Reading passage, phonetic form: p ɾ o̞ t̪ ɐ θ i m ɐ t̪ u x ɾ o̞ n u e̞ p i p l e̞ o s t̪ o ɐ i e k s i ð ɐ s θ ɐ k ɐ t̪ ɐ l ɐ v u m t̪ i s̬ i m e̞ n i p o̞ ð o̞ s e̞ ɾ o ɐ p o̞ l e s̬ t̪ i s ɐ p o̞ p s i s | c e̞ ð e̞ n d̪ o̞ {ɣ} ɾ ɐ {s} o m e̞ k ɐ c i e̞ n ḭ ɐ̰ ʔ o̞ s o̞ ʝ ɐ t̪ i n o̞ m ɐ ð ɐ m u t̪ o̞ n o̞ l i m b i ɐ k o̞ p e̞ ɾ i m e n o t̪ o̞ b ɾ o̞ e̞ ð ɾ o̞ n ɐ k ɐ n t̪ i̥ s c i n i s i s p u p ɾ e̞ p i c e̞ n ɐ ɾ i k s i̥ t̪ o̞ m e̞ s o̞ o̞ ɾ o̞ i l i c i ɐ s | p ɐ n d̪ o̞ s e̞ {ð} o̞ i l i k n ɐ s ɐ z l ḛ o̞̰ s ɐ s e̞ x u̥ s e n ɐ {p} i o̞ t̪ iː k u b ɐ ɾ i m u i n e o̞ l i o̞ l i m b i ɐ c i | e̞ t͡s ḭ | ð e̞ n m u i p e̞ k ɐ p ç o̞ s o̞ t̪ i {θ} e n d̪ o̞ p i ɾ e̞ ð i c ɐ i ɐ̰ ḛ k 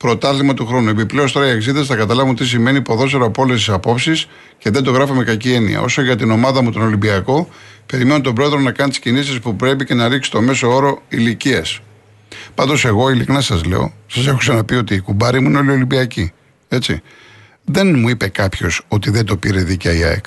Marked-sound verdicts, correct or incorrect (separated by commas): correct, incorrect, incorrect, correct, incorrect